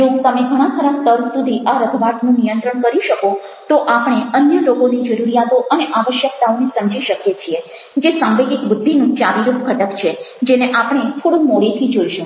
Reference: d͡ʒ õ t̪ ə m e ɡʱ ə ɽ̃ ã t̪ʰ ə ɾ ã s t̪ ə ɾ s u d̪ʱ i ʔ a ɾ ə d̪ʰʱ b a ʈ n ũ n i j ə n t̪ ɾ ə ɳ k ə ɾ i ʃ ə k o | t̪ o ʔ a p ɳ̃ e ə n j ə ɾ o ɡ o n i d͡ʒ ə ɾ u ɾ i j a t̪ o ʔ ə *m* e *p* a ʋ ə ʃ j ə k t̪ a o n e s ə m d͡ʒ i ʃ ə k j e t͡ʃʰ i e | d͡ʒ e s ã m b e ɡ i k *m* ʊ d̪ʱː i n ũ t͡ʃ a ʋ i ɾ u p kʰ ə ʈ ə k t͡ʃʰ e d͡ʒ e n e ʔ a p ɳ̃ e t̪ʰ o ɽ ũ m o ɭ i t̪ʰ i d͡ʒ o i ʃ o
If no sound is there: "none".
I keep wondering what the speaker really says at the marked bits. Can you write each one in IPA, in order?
n, ʔ, b

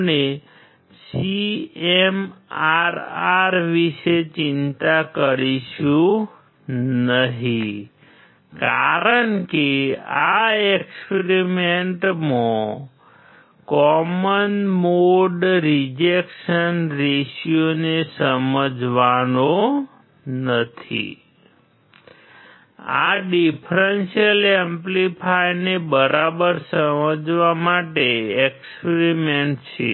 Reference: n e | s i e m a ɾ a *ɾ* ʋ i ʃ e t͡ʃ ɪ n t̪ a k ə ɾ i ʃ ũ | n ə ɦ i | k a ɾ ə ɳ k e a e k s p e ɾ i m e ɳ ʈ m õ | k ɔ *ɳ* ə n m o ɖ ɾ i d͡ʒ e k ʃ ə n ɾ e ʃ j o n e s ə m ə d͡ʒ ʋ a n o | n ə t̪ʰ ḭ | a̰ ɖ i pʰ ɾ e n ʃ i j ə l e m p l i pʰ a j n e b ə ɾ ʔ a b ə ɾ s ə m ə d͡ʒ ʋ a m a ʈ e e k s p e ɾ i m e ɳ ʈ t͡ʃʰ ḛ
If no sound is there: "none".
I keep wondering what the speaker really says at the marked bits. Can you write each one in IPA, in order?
ɾ, m

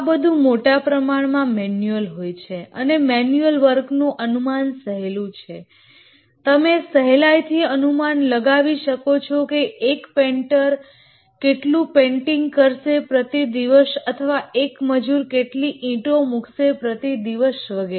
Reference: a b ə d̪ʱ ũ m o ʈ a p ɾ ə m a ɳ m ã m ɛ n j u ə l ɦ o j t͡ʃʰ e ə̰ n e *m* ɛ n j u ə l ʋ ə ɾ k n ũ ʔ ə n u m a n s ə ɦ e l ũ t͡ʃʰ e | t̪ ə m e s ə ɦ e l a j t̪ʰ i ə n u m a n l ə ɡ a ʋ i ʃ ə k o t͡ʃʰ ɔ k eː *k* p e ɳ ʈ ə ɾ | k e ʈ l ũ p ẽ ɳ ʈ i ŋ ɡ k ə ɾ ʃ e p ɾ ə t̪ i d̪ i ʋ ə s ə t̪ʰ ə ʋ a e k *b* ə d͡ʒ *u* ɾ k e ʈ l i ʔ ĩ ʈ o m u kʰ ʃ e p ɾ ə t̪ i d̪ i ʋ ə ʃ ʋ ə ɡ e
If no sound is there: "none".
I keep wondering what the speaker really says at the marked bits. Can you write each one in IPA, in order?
m, k, m, u

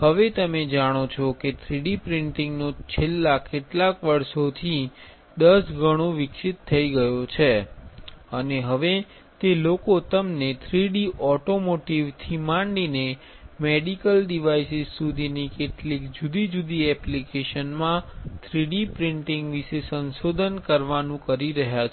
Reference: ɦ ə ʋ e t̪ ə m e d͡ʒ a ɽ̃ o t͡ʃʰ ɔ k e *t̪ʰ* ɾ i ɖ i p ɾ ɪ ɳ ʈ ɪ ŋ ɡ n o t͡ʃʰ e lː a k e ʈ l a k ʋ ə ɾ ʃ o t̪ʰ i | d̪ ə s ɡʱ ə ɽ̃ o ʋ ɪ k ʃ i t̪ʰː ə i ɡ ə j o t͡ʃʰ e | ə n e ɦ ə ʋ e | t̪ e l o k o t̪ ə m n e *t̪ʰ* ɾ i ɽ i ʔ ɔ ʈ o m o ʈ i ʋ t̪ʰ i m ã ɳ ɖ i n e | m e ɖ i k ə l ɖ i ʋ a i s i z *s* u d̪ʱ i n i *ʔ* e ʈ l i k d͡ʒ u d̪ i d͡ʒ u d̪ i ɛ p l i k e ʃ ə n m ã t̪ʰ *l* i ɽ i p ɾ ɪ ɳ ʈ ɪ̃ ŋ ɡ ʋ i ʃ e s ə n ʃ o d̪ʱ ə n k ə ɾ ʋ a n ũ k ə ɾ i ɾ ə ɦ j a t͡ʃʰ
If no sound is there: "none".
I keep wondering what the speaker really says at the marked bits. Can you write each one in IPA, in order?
t̪ʰ, t̪ʰ, s, k, ɾ

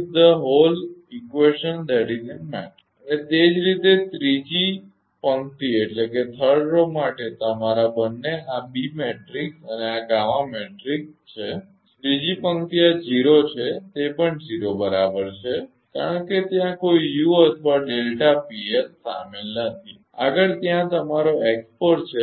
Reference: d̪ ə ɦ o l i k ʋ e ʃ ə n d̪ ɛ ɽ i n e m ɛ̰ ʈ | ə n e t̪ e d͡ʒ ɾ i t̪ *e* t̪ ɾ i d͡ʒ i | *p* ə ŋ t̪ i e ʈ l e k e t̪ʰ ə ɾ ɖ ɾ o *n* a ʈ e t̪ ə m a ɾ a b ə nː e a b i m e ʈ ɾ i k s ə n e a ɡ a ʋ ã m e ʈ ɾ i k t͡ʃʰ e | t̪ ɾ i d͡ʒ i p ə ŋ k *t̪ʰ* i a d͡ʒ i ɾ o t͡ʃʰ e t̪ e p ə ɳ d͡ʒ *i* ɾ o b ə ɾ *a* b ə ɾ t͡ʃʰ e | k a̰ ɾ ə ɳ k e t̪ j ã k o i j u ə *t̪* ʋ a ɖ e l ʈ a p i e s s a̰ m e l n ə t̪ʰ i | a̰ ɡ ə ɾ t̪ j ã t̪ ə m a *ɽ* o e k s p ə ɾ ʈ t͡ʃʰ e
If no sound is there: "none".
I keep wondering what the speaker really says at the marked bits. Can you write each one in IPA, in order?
e, p, m, t̪, i, a, t̪ʰ, ɾ

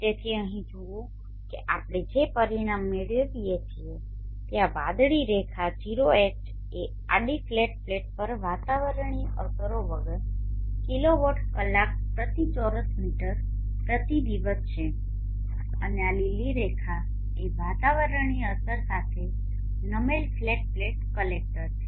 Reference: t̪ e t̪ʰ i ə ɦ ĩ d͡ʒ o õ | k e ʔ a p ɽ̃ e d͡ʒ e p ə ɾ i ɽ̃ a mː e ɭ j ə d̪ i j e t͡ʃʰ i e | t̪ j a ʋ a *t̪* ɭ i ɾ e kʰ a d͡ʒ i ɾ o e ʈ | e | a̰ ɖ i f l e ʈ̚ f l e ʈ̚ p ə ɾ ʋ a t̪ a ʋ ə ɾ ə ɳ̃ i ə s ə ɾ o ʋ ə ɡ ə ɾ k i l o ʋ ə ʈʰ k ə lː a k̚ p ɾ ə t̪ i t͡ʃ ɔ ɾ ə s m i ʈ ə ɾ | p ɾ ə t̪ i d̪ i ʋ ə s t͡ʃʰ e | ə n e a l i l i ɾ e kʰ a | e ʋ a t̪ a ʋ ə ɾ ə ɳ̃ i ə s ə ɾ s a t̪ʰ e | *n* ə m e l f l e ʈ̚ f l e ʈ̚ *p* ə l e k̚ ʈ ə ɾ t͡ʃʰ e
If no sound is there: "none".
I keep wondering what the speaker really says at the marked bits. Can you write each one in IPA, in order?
d̪, n, k

